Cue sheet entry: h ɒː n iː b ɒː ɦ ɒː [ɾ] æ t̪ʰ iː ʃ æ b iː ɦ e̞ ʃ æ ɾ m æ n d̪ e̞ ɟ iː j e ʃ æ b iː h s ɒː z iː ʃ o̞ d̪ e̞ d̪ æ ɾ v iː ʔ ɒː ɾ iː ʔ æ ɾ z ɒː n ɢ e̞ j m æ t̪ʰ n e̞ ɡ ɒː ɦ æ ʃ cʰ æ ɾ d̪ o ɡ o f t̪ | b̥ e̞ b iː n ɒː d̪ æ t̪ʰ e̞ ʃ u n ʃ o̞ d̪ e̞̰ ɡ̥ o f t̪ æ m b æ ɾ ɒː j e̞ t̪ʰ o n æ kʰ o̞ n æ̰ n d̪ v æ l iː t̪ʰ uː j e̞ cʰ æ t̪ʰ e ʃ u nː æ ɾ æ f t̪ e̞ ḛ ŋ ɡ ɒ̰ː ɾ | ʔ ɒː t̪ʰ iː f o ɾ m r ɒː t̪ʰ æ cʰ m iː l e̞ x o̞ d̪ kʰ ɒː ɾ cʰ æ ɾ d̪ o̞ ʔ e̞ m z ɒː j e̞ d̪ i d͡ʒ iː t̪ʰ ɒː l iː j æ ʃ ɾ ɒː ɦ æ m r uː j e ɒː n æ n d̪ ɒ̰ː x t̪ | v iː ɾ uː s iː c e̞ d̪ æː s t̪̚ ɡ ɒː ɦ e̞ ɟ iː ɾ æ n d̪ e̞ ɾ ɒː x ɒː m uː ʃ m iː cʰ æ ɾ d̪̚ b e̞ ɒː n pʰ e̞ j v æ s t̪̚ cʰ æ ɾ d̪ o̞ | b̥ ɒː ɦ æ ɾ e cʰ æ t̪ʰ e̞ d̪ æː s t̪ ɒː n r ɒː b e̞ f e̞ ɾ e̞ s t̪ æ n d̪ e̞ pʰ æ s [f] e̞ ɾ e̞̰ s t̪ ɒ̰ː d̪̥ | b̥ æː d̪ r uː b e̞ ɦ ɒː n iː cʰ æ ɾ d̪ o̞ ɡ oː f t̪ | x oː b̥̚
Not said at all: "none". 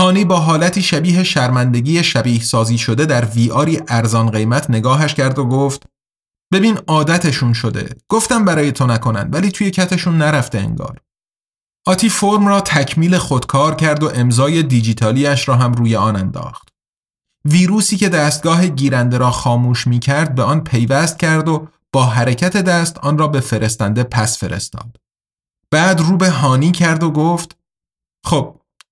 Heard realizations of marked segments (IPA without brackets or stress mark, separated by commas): l, f